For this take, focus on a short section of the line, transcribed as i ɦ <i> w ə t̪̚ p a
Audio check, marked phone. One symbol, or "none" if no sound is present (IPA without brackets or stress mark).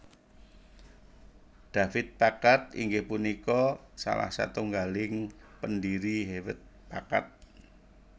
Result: e